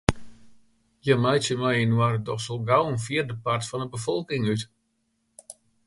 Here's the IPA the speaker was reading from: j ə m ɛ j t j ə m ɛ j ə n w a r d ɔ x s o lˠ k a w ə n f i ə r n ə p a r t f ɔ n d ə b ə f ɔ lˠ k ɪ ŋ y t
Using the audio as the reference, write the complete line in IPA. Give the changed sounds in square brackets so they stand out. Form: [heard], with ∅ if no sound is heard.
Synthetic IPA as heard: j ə m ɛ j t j ə m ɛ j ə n w a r d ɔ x s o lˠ [ɡ] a w ə n f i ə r [d] ə p a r t f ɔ n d ə b ə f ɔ lˠ k ɪ ŋ y t

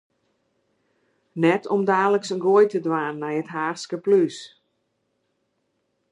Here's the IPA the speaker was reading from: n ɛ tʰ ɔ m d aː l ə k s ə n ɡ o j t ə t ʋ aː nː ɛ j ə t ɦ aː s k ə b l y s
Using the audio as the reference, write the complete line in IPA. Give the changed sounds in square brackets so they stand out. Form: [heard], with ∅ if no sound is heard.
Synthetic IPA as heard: n ɛ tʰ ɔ m d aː l ə k s ə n ɡ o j t ə [d] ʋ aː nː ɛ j ə t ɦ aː s k ə [p] l y s

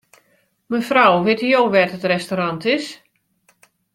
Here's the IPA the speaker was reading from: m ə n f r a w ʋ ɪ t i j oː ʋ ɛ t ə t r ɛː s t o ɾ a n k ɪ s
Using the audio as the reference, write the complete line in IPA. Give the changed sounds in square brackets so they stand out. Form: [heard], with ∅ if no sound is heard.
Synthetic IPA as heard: m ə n f r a w ʋ ɪ t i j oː ʋ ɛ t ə t r [ɛ] s t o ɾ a n [t] ɪ s

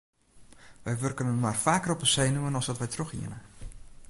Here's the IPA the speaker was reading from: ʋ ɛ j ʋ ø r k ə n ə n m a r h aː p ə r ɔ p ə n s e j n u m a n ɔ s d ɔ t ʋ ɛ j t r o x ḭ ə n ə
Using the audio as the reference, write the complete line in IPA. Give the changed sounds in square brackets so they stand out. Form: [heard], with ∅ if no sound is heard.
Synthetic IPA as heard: ʋ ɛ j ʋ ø r k ə n ə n m a r [f] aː [k] ə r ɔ p ə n s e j n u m [ə] n ɔ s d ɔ t ʋ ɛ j t r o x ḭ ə n ə

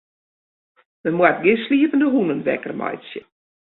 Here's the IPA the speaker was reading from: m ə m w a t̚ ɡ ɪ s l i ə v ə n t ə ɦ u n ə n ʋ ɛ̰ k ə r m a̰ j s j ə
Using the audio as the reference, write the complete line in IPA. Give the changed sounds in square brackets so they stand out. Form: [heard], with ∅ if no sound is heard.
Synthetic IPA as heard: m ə m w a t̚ ɡ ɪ s l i ə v ə n [d] ə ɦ u n ə n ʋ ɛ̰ k ə r m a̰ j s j ə

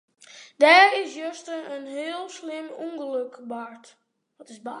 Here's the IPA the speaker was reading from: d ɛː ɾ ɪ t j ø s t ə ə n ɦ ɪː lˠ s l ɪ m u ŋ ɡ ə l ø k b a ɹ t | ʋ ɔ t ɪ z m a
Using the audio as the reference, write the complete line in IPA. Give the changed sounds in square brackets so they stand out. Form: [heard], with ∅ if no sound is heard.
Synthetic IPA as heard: d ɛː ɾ ɪ [s] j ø s t ə ə n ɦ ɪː lˠ s l ɪ m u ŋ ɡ ə l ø k b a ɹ t | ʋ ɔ t ɪ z [b] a

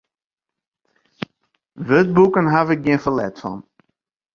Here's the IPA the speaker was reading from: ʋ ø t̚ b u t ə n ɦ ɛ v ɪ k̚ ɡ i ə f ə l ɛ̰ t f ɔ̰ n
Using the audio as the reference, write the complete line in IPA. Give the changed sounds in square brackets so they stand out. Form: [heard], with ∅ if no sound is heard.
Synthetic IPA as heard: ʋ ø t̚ b u [k] ə n ɦ [a] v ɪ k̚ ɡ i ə f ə l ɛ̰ t f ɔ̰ n

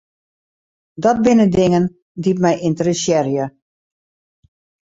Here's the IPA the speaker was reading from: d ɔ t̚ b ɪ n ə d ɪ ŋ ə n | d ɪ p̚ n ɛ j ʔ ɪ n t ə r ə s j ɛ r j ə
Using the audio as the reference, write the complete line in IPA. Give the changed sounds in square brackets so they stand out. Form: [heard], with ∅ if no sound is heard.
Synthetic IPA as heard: d ɔ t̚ b ɪ n ə d ɪ ŋ ə n | d [i] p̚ [m] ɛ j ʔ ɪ n t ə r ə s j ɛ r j ə

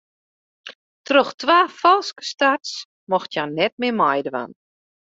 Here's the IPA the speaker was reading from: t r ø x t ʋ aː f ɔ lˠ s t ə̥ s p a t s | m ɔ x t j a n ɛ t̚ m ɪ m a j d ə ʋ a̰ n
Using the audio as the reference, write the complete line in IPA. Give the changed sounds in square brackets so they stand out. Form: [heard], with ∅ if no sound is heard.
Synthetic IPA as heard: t r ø x t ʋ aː f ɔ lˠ s [k] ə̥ s [t] a t s | m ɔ x t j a n ɛ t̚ m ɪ m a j d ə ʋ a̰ n

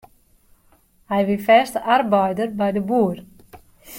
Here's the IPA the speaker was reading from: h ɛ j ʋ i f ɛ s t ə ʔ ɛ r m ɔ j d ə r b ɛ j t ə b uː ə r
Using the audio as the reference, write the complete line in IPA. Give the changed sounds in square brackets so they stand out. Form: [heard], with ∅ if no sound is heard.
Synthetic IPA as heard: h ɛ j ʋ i f ɛ s t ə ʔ [a] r [b] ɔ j d ə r b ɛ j [d] ə b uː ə r

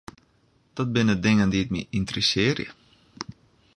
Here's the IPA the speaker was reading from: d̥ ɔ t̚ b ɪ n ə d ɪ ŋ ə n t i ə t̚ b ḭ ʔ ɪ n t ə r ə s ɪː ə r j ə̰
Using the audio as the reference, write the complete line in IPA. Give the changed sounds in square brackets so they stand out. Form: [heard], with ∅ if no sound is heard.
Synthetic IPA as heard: d̥ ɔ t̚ b ɪ n ə d ɪ ŋ ə n [d] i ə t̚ [m] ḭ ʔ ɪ n t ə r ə s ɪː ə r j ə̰

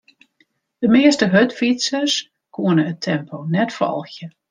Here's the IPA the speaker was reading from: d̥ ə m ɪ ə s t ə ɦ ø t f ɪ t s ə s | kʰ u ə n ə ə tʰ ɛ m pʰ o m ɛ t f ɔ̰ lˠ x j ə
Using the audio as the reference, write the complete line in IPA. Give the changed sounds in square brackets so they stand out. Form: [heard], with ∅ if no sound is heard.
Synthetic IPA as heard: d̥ ə m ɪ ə s t ə ɦ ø t f [i] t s ə s | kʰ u ə n ə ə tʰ ɛ m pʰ o [n] ɛ t f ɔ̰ lˠ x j ə

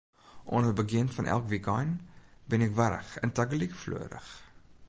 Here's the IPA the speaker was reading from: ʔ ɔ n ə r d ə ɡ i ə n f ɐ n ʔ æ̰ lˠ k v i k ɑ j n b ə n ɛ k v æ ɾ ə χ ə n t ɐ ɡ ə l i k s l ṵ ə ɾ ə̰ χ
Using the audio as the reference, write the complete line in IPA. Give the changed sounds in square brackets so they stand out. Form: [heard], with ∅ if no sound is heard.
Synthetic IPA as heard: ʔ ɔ n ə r [b] ə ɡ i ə n f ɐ n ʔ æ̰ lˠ k v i k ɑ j n b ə n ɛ k v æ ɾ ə χ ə n t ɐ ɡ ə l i k [f] l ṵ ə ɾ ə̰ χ

